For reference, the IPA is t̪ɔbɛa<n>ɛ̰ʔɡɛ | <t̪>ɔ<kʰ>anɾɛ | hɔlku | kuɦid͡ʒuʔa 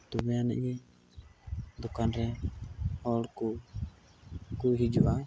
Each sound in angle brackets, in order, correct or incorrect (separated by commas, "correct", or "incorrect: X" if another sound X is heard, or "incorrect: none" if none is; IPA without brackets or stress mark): correct, incorrect: d̪, incorrect: k